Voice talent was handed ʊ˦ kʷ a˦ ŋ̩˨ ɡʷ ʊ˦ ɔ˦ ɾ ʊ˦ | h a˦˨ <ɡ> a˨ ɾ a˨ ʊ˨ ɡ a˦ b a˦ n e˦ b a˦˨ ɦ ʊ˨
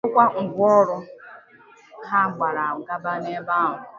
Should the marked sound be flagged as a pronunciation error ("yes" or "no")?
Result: yes